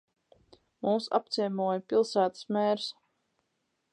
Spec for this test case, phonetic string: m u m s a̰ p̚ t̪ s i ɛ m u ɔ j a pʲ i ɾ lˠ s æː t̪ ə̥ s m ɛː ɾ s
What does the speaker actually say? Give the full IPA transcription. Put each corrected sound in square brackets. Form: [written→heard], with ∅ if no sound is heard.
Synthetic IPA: m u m s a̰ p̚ t̪ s i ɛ m u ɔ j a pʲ i [ɾ→∅] lˠ s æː t̪ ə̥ s m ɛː ɾ s